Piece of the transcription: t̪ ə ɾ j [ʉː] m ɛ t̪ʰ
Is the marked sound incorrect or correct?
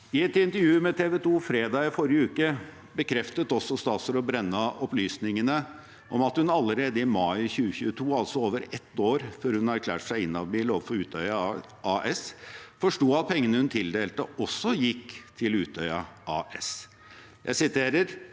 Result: correct